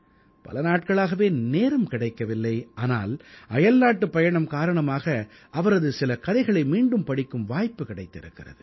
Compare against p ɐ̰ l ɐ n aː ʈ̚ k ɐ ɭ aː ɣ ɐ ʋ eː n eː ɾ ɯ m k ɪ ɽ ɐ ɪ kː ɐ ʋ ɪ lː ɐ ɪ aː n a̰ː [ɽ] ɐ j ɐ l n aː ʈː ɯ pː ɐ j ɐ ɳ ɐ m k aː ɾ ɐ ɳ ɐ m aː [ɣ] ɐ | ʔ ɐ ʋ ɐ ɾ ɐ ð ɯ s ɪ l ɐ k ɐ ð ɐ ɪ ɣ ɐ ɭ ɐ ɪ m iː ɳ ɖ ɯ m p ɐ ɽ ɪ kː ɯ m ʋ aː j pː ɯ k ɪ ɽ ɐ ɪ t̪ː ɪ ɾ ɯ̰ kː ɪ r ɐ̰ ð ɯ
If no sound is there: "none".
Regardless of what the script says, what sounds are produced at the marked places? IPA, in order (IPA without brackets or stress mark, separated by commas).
l, ɣ